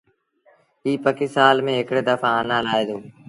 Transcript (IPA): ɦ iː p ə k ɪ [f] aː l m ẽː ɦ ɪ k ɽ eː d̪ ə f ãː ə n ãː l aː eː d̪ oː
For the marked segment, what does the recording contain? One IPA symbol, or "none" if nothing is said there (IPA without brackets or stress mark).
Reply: s